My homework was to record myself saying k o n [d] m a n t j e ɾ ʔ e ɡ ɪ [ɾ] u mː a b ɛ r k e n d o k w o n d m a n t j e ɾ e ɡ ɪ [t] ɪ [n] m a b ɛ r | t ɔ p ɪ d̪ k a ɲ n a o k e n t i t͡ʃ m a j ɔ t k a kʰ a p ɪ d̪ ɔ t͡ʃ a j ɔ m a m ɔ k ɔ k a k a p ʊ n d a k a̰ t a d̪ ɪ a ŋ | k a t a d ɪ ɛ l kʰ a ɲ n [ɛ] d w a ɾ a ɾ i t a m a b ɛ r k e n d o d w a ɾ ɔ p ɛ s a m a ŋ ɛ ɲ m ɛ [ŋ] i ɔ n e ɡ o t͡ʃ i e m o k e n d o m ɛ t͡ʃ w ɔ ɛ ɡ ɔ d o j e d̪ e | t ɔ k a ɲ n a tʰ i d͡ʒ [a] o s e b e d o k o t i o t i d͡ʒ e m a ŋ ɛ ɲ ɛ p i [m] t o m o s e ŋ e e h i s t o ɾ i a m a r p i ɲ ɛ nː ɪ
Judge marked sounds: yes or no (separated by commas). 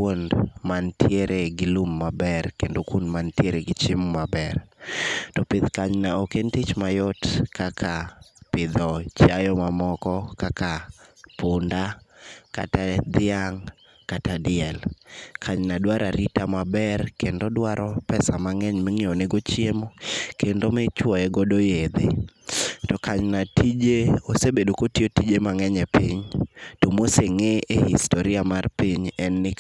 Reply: yes, no, no, no, no, yes, no, no